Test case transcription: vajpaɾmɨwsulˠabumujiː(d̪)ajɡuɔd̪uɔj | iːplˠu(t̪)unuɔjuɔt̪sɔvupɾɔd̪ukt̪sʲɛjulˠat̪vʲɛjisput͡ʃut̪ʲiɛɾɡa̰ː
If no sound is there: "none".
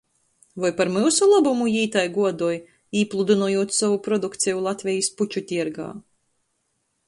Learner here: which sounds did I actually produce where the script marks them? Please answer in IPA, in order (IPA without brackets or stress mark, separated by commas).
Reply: t̪, d̪